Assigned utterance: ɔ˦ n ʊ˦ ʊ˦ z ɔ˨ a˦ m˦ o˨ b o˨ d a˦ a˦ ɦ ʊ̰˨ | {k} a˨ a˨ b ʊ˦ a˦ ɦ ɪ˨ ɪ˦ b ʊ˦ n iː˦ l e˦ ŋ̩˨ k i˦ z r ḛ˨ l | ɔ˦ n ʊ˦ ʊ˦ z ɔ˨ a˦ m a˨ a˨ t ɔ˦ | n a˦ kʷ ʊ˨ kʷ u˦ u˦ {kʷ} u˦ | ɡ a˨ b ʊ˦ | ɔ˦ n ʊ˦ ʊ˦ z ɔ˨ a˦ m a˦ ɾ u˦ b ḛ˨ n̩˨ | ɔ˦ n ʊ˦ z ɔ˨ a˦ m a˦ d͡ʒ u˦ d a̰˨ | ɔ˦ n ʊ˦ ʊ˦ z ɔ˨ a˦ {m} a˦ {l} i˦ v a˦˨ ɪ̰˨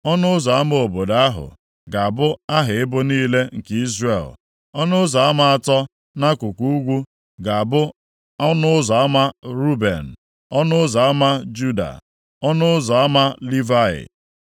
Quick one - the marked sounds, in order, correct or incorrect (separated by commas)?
incorrect, incorrect, correct, correct